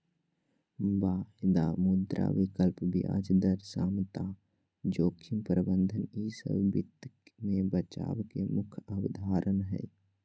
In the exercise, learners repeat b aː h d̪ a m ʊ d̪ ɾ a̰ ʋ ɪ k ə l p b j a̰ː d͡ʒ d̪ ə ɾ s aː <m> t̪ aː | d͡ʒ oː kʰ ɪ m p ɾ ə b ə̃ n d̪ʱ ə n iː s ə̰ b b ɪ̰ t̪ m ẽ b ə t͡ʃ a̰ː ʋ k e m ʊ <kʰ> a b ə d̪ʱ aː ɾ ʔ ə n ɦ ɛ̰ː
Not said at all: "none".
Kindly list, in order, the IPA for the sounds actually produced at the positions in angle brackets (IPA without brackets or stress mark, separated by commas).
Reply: m, kʰ